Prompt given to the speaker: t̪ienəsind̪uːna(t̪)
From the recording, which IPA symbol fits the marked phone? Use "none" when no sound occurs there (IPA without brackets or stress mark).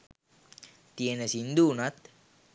t̪